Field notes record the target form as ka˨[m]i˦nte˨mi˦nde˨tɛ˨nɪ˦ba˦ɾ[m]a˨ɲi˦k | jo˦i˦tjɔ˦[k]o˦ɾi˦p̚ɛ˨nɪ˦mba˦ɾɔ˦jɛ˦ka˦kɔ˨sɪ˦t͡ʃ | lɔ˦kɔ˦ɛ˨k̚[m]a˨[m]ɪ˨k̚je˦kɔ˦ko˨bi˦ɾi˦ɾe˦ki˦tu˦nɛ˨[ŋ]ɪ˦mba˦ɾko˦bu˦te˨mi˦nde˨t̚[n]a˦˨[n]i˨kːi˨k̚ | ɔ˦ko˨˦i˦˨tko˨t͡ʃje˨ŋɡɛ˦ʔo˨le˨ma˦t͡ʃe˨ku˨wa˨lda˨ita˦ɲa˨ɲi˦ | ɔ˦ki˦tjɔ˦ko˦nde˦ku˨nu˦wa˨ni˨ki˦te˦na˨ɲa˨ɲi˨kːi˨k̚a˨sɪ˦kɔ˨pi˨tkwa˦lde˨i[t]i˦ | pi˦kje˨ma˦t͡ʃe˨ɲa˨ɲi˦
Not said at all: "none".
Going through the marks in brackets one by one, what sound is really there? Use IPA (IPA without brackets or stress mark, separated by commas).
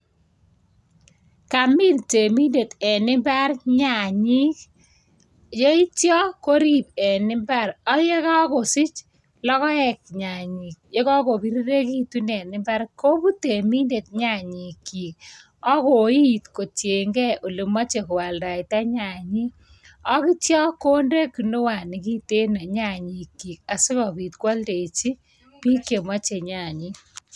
m, ɲ, k, ɲ, ɲ, n, ɲ, ɲ, t͡ʃ